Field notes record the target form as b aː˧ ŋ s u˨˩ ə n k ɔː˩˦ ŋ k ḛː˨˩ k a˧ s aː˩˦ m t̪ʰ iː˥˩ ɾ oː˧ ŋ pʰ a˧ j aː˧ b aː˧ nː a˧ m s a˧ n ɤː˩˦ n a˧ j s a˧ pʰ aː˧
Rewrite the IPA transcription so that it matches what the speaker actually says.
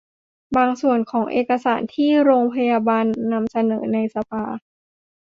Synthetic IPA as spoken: b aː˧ ŋ s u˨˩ ə n kʰ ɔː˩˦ ŋ ʔ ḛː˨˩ k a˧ s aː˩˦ n t̪ʰ iː˥˩ ɾ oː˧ ŋ pʰ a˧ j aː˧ b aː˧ nː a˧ m s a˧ n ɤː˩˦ n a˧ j s a˧ pʰ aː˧